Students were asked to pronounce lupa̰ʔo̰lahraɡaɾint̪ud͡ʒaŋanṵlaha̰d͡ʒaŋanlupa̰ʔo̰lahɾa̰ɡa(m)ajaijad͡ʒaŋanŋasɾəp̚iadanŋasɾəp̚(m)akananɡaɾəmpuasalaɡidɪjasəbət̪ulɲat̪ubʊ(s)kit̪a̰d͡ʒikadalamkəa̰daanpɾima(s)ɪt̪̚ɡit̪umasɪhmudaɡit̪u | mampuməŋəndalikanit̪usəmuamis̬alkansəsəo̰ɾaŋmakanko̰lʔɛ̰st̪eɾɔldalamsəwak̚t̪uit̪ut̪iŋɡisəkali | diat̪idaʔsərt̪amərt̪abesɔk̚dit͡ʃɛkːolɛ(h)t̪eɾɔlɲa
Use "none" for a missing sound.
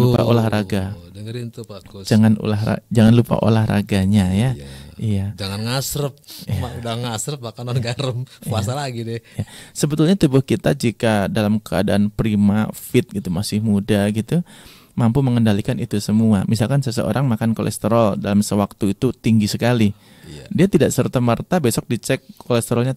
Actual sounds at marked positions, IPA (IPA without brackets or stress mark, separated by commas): ɲ, m, h, f, s